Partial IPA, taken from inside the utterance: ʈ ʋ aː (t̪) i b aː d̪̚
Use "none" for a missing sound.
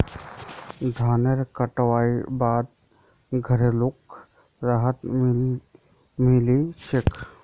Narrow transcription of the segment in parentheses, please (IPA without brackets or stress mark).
none